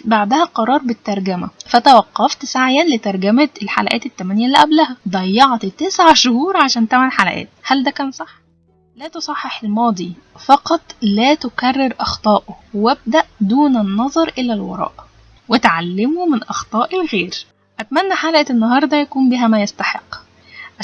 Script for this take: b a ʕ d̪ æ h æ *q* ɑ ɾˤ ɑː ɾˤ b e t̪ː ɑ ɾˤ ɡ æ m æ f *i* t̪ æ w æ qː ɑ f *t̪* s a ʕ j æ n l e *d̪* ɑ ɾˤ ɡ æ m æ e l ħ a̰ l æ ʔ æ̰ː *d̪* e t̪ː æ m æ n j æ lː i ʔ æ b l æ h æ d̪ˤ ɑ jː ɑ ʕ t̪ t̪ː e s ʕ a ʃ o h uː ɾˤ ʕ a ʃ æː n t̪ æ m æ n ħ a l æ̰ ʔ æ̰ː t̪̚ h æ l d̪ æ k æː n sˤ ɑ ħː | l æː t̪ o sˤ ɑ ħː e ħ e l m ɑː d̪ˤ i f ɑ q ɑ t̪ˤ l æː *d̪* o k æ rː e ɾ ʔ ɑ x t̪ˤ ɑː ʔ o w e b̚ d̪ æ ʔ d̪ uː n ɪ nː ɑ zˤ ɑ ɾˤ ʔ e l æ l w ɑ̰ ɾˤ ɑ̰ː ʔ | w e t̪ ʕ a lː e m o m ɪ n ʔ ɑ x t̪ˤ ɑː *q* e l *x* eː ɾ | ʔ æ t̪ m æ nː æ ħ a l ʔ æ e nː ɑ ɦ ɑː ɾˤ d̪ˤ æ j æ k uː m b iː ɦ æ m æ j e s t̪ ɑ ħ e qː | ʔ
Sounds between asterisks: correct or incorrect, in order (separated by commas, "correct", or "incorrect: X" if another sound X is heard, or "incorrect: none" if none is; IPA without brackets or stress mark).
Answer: correct, incorrect: æ, correct, incorrect: t̪, incorrect: t̪, incorrect: t̪, incorrect: ʔ, incorrect: ɣ